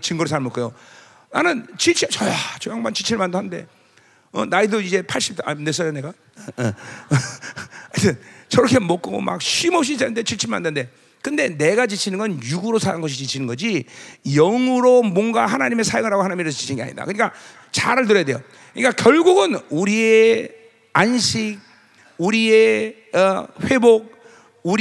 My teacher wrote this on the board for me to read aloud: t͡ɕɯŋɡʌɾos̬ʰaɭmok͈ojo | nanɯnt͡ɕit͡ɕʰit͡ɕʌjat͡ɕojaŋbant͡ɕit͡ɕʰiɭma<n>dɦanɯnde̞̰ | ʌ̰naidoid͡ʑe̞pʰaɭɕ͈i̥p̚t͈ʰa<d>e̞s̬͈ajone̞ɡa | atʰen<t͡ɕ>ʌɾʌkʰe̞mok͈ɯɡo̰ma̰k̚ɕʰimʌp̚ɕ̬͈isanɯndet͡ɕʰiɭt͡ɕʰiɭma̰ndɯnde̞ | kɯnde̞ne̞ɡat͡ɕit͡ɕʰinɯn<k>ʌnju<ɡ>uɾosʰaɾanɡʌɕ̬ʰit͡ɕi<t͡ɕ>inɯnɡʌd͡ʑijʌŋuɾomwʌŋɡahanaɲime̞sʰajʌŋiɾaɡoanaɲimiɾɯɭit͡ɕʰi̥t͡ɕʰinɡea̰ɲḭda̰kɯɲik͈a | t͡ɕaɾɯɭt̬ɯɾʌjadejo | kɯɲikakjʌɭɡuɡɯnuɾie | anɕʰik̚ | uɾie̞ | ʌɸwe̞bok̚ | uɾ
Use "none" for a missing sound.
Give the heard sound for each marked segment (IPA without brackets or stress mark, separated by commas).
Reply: n, n, t͡ɕ, ɡ, ɡ, t͡ɕʰ